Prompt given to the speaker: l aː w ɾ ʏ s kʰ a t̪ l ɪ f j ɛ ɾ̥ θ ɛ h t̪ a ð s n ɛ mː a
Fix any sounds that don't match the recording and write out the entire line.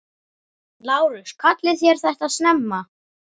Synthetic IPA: l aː w ɾ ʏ s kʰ a t̪ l ɪ θ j ɛ ɾ̥ θ ɛ h t̪ a ð s n ɛ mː a